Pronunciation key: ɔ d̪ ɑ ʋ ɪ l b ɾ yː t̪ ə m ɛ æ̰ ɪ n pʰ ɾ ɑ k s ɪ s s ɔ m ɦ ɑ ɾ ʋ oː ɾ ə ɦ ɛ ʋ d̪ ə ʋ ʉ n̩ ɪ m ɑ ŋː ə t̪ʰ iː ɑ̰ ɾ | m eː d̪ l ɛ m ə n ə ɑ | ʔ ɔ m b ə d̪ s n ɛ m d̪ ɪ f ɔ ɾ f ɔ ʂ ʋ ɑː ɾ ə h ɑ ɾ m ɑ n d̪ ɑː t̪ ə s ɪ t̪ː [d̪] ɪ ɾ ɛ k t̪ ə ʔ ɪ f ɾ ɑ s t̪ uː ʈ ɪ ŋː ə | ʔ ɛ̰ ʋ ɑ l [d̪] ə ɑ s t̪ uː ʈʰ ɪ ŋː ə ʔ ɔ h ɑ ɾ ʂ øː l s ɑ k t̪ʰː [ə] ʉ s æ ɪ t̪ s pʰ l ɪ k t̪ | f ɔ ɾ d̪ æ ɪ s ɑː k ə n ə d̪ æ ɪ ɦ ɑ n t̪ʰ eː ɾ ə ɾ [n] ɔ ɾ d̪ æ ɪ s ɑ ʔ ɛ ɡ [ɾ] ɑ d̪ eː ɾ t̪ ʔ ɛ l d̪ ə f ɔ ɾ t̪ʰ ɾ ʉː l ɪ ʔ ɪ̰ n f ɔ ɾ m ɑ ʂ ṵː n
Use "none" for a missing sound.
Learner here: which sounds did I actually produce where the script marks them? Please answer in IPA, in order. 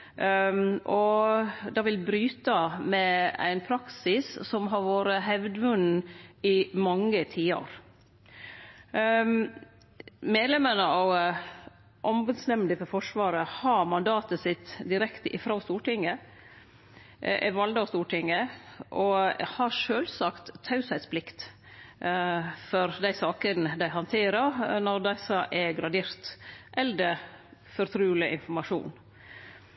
d̪, d̪, ɑ, n, ɾ

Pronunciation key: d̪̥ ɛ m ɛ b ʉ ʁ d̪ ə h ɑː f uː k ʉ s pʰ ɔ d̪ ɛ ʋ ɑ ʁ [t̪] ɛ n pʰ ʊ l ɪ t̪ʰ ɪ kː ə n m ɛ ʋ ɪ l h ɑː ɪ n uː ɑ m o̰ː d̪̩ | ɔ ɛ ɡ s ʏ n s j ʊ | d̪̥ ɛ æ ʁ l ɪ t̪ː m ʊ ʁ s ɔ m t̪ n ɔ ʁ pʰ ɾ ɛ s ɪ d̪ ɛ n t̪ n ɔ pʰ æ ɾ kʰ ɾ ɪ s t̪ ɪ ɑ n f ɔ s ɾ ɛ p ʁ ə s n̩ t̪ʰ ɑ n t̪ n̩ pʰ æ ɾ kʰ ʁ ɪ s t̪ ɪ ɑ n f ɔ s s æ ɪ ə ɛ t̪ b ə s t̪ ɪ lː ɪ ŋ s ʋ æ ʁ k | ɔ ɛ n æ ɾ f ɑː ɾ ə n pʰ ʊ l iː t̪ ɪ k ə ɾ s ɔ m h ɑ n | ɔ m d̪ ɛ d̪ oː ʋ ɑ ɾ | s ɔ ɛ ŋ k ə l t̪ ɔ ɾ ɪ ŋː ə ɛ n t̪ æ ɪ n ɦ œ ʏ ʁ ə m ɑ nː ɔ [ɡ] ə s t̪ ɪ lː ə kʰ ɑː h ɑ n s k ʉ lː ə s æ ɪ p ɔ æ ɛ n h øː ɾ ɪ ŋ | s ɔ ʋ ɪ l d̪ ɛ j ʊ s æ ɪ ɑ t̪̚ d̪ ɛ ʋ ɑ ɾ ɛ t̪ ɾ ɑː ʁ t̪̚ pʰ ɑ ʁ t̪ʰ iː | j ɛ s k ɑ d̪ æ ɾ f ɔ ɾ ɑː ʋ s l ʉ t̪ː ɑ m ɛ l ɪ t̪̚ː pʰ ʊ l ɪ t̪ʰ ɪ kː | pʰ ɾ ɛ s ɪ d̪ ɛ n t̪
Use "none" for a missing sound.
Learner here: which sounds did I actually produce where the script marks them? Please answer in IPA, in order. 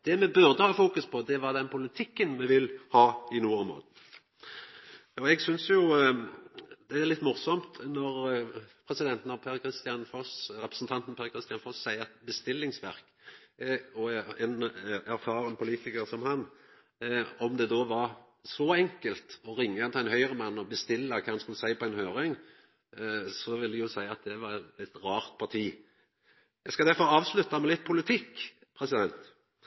d̪, b

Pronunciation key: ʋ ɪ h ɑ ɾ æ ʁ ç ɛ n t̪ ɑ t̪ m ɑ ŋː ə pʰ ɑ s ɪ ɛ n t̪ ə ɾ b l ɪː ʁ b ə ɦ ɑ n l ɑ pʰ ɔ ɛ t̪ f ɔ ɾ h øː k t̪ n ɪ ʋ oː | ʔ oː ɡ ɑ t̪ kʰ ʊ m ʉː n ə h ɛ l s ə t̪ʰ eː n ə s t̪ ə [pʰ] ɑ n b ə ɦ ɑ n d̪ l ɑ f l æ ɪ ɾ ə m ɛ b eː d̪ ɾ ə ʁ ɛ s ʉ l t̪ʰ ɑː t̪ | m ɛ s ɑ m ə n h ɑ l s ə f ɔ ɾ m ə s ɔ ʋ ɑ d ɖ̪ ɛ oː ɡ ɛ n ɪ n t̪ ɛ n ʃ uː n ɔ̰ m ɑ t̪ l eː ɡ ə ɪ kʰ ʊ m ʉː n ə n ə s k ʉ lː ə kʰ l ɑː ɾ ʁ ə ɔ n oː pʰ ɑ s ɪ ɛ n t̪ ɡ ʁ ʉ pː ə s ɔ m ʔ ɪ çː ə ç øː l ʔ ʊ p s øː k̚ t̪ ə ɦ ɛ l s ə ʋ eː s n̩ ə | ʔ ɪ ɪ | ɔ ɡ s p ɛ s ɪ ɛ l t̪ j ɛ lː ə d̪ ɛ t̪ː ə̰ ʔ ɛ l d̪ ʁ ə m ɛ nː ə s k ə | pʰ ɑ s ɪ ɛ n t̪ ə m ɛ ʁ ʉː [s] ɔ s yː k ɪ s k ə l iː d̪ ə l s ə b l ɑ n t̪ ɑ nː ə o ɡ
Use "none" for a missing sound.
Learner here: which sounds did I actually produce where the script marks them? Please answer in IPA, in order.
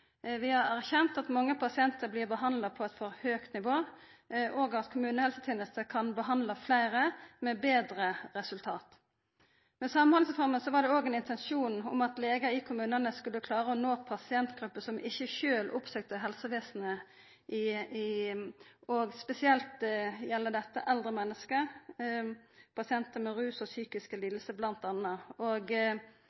kʰ, s

